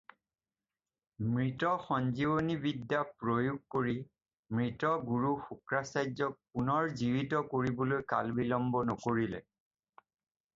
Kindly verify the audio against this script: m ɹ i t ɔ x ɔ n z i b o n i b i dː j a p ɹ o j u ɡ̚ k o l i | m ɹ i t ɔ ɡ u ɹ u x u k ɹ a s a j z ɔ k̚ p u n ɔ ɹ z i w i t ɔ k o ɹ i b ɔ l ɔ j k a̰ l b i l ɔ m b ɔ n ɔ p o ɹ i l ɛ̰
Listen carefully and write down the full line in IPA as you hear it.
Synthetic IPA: m ɹ i t ɔ x ɔ n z i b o n i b i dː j a p ɹ o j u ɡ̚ k o ɹ i | m ɹ i t ɔ ɡ u ɹ u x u k ɹ a s a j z ɔ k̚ p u n ɔ ɹ z i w i t ɔ k o ɹ i b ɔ l o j k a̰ l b i l ɔ m b ɔ n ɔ k o ɹ i l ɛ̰